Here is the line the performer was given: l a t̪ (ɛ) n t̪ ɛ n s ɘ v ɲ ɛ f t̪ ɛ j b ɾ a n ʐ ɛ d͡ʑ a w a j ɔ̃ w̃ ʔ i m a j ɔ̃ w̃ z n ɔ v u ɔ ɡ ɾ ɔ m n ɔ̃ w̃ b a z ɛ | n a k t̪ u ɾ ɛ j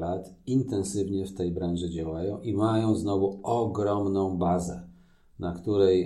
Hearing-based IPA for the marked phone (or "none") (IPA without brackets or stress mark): i